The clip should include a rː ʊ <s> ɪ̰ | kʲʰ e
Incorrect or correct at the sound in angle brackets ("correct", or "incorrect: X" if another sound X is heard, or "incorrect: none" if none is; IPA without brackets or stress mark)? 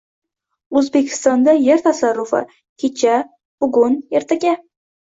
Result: incorrect: f